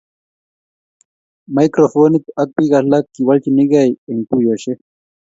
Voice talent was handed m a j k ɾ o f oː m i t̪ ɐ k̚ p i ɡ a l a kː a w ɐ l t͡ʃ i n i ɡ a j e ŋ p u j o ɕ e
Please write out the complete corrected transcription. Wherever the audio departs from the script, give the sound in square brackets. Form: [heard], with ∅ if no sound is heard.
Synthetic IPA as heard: m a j k ɾ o f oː [n] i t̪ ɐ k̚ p i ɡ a l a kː [i] w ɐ l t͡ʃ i n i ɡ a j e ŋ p u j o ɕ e